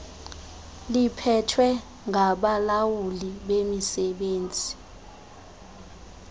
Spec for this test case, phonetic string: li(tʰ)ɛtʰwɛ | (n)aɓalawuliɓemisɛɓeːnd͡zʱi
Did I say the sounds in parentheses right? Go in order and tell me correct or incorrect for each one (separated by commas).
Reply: incorrect, incorrect